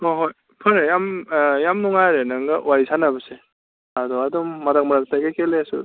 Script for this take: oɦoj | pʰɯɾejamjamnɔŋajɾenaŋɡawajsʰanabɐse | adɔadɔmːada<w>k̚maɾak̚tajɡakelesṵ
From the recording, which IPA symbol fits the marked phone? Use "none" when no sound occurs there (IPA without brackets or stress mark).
none